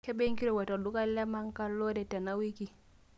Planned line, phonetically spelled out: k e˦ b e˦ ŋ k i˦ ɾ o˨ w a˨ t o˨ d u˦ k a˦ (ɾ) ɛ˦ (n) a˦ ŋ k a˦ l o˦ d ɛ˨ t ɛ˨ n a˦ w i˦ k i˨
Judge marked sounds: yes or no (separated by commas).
no, no